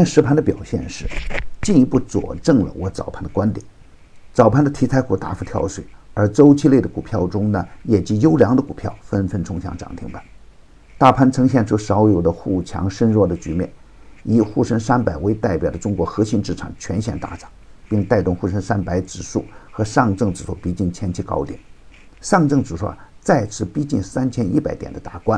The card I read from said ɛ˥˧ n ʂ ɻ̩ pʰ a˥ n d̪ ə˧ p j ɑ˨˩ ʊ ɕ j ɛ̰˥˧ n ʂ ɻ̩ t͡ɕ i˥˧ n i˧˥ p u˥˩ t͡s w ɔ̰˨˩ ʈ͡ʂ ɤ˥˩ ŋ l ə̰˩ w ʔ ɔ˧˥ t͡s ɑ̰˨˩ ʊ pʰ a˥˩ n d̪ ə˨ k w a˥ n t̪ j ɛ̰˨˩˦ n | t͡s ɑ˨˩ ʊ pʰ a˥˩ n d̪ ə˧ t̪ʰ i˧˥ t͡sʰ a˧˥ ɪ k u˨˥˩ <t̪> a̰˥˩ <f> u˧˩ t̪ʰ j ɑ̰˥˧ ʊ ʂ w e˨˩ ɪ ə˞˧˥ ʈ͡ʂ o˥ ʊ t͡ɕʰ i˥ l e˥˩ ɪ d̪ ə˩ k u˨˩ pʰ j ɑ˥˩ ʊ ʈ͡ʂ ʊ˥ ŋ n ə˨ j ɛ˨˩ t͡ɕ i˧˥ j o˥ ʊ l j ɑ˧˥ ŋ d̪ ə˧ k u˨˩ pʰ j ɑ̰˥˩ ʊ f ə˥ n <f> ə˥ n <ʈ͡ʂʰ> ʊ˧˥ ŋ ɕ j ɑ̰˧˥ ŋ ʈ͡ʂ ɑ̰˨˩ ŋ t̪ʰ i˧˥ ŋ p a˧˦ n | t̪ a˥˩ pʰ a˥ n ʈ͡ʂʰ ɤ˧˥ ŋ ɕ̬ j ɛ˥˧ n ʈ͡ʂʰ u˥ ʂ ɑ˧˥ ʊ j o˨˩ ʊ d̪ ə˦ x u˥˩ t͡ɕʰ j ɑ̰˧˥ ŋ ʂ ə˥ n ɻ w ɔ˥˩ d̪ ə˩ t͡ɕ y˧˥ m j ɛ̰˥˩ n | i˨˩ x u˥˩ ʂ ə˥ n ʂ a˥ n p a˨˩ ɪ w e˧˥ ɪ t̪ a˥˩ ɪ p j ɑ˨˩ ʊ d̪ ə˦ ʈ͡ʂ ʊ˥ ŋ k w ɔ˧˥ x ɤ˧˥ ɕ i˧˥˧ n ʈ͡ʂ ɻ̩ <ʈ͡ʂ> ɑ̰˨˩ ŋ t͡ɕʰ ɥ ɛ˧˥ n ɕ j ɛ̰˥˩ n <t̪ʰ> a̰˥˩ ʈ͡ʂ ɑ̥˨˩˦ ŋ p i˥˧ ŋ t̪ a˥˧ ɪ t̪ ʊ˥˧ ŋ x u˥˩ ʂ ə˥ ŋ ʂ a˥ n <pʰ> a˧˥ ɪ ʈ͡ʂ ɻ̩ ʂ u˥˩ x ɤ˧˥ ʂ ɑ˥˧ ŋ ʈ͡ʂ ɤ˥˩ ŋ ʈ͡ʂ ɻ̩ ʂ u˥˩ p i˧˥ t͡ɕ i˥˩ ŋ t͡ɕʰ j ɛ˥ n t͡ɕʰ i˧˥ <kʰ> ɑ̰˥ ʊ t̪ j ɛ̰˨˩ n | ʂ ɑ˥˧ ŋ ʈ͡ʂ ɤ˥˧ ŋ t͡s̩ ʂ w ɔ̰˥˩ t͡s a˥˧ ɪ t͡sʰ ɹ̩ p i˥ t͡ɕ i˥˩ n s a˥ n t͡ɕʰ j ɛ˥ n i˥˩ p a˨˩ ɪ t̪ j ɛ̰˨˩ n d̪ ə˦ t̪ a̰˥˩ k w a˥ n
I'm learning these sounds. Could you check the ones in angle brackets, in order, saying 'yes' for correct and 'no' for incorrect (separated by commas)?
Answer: yes, yes, yes, yes, no, no, no, no